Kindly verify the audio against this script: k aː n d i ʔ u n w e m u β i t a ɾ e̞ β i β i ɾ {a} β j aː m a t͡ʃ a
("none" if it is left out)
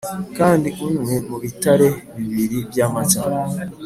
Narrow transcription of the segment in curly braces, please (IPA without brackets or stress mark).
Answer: i